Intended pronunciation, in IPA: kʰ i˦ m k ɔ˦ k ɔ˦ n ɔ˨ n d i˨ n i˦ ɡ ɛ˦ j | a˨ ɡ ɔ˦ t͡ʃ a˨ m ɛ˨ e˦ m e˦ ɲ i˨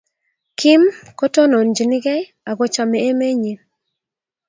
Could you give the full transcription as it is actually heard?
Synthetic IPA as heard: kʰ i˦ m k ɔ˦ t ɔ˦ n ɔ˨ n d͡ʒ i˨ n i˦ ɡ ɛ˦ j | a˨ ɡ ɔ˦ t͡ʃ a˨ m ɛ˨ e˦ m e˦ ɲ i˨